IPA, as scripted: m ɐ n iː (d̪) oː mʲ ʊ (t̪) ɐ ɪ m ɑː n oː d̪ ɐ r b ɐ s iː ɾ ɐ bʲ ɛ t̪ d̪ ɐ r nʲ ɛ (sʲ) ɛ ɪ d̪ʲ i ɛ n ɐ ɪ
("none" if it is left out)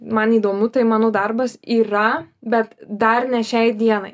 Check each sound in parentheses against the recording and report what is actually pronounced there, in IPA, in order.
d̪, t̪, ʃʲ

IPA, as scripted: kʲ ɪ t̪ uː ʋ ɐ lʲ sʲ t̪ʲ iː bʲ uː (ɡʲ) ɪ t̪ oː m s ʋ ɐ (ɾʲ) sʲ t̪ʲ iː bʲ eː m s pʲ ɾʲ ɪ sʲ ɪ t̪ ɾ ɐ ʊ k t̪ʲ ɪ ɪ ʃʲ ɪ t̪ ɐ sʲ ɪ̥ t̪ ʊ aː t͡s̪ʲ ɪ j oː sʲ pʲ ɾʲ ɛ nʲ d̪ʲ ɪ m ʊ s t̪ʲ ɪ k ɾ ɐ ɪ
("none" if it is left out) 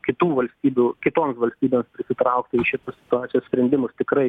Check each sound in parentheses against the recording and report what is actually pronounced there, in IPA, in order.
kʲ, lʲ

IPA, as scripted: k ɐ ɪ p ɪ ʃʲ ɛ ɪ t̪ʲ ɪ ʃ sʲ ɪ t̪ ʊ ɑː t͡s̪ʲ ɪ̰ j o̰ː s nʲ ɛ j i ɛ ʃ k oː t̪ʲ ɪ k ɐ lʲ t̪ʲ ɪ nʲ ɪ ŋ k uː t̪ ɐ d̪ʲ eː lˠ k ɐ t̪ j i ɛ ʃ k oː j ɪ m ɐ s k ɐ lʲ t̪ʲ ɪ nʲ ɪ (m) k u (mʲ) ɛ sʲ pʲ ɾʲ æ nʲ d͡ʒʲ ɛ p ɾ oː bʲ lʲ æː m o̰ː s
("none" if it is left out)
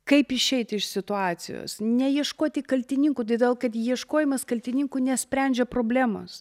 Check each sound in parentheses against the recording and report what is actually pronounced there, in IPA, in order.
ŋ, nʲ

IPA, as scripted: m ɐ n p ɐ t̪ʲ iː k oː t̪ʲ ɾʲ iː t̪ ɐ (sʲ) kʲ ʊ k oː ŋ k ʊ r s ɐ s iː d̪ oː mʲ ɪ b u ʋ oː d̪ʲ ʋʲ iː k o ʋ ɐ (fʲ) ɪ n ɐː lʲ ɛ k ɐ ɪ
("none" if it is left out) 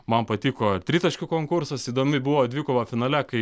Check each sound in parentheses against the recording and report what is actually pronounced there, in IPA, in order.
ʃʲ, fʲ

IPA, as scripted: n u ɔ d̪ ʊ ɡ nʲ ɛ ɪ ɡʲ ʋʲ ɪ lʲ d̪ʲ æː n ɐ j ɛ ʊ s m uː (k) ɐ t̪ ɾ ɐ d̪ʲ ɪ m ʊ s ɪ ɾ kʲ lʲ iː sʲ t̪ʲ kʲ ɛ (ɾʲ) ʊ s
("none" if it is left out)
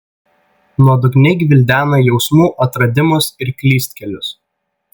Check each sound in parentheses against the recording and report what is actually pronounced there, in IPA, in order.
ʔ, lʲ

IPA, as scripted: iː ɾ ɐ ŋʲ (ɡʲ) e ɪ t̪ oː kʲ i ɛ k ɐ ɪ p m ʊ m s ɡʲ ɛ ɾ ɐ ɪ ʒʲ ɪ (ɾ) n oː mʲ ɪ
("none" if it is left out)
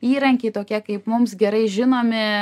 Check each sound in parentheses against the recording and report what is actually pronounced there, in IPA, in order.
kʲ, none

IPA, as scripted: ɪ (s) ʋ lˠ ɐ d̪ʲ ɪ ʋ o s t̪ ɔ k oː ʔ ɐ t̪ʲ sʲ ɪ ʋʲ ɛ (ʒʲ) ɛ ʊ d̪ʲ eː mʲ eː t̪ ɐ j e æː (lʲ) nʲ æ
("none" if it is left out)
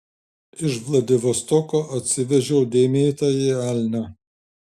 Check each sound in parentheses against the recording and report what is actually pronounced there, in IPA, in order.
ʃ, ʒʲ, lʲ

